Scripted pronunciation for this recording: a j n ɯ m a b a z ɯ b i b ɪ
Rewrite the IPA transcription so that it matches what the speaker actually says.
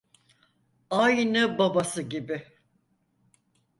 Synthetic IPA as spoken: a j n ɯ b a b a s ɯ ɟ i b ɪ